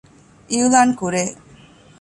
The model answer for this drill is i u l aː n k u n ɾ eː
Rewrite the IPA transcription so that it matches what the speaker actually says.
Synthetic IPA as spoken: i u l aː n k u ɾ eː